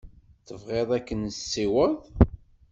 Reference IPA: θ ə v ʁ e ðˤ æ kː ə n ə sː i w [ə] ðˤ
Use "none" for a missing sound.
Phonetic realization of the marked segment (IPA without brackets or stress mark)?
ə